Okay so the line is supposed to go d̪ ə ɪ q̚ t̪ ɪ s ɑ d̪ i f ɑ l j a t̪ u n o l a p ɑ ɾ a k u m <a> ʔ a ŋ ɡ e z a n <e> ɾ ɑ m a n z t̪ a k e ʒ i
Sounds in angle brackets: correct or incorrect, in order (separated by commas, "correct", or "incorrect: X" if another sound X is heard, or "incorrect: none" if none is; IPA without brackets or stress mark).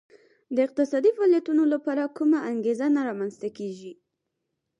correct, incorrect: a